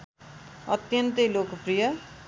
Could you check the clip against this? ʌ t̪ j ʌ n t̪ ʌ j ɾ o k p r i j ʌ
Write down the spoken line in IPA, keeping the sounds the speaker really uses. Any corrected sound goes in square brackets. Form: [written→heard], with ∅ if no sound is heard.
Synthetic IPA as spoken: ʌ t̪ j ʌ n t̪ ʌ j [ɾ→l] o k p r i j ʌ